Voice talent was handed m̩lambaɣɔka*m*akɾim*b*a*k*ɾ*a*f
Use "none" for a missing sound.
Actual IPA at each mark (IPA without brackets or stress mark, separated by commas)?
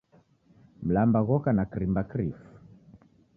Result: n, b, k, i